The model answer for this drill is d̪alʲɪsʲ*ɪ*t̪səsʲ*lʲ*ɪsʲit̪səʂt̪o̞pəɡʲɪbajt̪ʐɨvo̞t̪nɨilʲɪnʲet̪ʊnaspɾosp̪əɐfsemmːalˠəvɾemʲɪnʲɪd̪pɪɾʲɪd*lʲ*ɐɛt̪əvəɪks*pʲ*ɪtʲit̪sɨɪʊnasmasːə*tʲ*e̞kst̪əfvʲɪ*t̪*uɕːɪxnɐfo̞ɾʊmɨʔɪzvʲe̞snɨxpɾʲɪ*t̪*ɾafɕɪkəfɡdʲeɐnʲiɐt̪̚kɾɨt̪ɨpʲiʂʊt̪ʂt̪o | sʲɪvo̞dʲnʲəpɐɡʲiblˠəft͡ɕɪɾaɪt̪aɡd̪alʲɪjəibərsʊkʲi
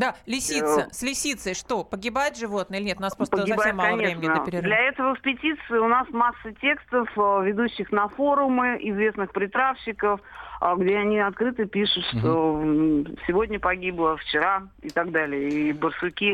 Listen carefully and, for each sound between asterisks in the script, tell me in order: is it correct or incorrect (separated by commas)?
incorrect, correct, correct, correct, correct, incorrect, correct